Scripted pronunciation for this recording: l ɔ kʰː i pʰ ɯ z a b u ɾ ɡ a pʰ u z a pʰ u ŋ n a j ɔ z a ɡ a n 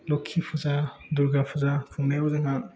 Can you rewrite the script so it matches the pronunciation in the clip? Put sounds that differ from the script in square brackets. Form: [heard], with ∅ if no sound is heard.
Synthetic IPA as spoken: l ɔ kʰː i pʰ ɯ z a [d] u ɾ ɡ a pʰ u z a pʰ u ŋ n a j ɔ z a [ŋ] a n